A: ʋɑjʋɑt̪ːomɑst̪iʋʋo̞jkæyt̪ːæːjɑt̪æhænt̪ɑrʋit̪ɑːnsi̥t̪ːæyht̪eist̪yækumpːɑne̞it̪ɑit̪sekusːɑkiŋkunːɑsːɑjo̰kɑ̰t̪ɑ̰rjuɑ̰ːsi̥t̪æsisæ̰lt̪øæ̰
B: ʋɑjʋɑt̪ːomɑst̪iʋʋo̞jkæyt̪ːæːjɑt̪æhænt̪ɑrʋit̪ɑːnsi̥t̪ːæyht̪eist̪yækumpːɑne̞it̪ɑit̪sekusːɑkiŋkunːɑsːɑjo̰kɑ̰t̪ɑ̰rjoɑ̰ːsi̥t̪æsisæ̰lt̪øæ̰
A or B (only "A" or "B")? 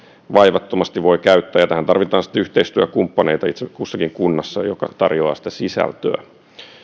B